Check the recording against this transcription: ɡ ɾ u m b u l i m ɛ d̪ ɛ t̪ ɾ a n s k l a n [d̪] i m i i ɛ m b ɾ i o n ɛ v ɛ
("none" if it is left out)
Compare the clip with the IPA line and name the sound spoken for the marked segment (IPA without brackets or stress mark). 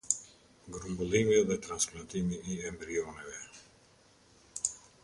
t̪